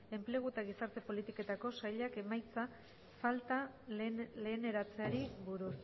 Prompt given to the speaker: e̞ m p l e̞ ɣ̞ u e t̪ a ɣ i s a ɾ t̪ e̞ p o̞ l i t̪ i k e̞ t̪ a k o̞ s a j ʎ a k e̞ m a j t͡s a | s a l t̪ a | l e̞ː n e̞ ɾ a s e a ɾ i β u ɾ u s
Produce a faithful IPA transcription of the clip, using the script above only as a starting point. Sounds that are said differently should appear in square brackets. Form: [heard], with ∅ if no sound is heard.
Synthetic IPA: e̞ m p l e̞ ɣ̞ u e t̪ a ɣ i s a ɾ t̪ e̞ p o̞ l i t̪ i k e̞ t̪ a k o̞ s a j ʎ a k e̞ m a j t͡s a | [f] a l t̪ a | l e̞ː n e̞ ɾ a [t͡s] e a ɾ i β u ɾ u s